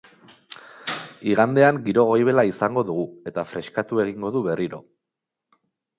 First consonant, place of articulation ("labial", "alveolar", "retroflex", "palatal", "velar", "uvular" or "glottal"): velar